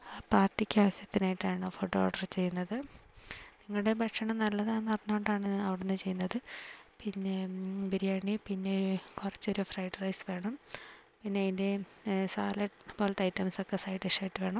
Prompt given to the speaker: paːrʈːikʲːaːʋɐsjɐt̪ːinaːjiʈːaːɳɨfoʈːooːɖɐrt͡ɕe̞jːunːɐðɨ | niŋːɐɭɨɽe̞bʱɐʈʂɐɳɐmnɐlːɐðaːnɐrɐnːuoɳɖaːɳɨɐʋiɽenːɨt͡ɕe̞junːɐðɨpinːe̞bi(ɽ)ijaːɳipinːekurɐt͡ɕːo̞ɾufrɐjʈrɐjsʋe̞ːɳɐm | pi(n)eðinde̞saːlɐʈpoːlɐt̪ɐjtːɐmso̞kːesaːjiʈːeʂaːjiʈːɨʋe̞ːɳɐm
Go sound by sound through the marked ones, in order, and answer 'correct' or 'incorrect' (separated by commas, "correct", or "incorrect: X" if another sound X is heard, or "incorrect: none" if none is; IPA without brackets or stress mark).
incorrect: ɾ, incorrect: nː